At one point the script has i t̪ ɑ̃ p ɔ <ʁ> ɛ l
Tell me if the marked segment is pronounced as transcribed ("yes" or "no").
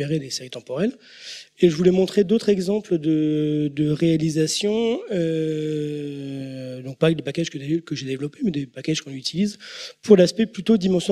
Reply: yes